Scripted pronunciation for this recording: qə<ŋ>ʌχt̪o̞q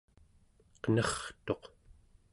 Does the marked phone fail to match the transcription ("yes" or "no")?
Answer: yes